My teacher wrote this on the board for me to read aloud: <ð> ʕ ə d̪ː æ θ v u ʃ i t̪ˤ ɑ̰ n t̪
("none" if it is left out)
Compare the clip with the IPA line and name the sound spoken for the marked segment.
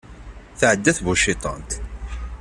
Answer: θ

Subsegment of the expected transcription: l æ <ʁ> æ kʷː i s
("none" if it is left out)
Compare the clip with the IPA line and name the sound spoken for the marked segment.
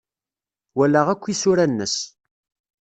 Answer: ʁ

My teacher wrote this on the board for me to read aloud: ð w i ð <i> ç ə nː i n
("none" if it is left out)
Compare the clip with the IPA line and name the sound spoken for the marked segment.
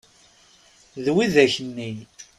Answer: æ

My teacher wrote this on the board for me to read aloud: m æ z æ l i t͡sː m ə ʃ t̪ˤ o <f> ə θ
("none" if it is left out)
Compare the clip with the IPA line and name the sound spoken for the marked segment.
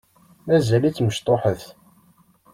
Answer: ħ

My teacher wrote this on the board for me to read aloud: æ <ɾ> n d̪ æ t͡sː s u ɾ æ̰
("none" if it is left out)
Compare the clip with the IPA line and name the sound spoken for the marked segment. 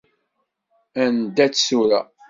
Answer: none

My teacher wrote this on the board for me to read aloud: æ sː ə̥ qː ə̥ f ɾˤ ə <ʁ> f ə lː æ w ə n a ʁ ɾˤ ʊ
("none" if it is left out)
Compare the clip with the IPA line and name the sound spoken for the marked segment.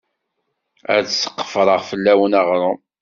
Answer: ʁ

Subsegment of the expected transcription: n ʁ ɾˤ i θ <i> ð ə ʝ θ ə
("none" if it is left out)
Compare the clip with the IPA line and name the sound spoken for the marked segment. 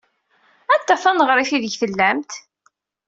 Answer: i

